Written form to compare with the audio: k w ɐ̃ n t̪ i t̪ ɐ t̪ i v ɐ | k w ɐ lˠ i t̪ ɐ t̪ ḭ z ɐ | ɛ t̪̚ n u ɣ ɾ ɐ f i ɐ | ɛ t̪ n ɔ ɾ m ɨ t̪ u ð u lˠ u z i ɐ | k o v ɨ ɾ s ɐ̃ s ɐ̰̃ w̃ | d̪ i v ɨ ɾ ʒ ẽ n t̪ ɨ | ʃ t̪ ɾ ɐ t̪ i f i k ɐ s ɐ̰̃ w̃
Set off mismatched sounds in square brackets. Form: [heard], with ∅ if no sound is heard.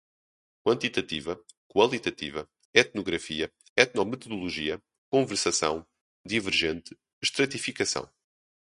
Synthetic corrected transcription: k w ɐ̃ n t̪ i t̪ ɐ t̪ i v ɐ | k w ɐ lˠ i t̪ ɐ t̪ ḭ [v] ɐ | ɛ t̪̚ n u ɣ ɾ ɐ f i ɐ | ɛ t̪ n ɔ [∅] m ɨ t̪ u ð u lˠ u [ʒ] i ɐ | k [õ] v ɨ ɾ s [ɐ] s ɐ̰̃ w̃ | d̪ i v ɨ ɾ ʒ ẽ n t̪ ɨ | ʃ t̪ ɾ ɐ t̪ i f i k ɐ s ɐ̰̃ w̃